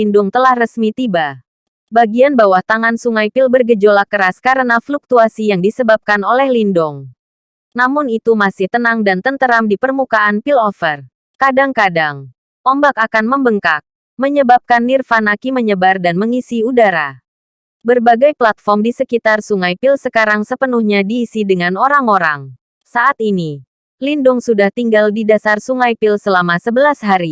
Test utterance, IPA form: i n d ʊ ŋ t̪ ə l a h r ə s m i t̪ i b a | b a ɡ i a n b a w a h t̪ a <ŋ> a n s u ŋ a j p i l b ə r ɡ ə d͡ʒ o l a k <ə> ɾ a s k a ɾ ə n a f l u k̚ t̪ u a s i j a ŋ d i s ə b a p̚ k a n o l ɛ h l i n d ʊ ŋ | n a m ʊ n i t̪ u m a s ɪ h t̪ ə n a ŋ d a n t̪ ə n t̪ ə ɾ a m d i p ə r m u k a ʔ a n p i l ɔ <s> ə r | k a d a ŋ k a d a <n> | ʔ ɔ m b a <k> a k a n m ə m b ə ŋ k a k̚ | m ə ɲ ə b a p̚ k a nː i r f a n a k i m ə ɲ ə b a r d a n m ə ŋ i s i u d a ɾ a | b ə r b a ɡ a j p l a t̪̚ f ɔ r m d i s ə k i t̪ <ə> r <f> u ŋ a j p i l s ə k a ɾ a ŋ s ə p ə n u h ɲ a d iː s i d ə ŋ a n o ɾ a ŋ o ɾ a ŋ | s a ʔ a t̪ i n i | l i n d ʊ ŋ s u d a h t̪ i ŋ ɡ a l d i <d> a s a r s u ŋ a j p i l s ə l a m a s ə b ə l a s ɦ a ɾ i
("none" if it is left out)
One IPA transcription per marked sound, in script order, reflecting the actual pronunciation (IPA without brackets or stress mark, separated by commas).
ŋ, ə, f, ŋ, k, a, s, d